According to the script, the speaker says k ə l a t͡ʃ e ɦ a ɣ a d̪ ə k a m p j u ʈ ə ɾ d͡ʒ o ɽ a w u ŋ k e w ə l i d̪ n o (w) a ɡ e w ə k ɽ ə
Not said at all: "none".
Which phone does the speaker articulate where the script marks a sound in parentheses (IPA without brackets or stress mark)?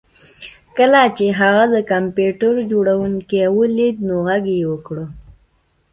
ɣ